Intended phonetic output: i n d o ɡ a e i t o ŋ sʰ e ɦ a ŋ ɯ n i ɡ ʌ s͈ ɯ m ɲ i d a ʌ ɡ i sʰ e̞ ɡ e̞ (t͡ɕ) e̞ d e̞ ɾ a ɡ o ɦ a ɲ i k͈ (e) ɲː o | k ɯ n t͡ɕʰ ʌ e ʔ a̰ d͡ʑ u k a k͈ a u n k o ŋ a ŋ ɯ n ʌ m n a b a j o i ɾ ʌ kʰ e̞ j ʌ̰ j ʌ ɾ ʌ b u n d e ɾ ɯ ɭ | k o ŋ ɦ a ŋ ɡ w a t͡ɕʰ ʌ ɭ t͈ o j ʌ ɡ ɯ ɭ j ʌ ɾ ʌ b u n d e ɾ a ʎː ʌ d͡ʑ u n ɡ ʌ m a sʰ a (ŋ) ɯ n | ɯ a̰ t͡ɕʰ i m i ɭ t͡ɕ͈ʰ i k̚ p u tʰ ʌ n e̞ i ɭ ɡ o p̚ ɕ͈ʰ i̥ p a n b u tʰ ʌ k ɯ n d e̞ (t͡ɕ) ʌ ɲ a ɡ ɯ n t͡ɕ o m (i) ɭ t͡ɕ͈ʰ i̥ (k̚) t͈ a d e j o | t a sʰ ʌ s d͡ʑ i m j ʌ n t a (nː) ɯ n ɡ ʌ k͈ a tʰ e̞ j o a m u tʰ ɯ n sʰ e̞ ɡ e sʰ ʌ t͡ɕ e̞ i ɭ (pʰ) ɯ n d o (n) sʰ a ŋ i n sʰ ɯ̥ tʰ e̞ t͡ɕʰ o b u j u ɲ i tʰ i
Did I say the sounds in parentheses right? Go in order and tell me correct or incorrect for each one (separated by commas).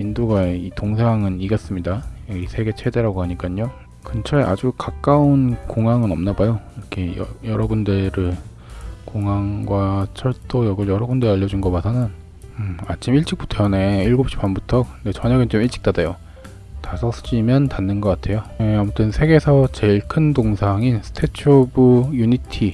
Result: incorrect, incorrect, incorrect, correct, correct, correct, correct, incorrect, incorrect